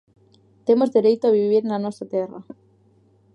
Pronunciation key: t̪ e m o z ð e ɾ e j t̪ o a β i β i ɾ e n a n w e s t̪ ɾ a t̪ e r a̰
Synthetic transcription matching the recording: t̪ e m o z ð e ɾ e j t̪ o a β i β i ɾ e n a n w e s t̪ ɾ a t̪ e r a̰